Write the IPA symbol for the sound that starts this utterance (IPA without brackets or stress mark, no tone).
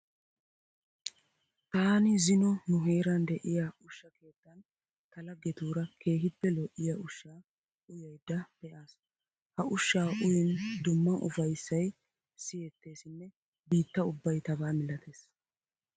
t̪